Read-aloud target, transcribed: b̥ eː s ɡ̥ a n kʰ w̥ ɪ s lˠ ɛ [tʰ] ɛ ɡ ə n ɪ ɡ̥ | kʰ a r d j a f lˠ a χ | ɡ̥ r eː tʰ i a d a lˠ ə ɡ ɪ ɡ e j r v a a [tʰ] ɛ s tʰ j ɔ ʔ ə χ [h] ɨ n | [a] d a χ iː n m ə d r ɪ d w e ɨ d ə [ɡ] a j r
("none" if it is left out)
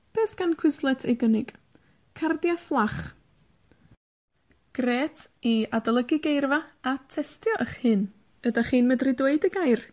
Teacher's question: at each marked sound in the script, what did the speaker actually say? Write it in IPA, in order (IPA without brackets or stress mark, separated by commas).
tʰ, tʰ, h, ə, ɡ